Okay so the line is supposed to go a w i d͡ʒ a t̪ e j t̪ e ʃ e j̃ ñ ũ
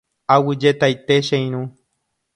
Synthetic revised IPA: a w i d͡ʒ e t̪ a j t̪ e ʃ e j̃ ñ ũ